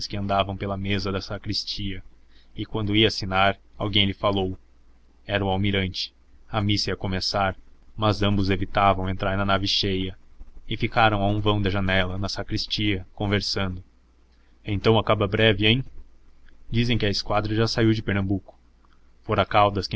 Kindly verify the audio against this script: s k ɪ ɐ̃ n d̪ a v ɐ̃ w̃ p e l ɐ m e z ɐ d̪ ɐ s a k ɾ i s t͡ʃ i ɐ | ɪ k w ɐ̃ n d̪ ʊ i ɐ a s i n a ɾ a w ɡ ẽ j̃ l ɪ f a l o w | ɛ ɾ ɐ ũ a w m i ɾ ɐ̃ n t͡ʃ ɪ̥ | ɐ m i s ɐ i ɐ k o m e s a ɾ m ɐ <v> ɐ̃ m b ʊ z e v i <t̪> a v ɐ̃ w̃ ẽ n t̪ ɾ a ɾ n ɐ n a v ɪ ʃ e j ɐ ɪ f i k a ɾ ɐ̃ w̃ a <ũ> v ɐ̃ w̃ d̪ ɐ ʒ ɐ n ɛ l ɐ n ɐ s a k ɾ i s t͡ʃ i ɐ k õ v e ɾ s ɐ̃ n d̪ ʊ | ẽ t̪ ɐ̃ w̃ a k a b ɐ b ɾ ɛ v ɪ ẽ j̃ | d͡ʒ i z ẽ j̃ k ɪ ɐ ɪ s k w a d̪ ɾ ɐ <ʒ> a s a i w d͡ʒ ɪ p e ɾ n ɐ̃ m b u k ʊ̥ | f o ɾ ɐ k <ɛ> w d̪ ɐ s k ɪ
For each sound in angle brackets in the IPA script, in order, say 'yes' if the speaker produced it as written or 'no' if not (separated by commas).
no, yes, yes, yes, no